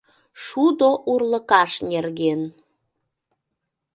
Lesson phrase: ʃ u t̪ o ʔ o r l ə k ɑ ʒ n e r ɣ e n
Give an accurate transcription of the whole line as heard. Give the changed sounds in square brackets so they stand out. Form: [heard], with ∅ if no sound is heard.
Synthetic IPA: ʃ u [d̪] o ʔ [u] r l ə k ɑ [ʃ] n e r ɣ e n